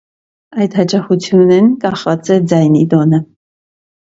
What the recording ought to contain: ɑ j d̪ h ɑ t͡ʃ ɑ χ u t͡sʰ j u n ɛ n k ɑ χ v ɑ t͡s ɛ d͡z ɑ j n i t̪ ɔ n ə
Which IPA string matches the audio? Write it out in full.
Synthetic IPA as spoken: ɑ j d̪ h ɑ t͡ʃ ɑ χ u t͡sʰ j u n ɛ n k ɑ χ v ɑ t͡s ɛ d͡z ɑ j n i d̪ ɔ n ə